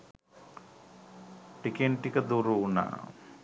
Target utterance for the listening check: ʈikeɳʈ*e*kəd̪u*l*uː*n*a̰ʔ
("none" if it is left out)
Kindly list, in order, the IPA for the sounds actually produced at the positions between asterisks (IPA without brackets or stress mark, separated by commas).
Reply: i, ɾ, n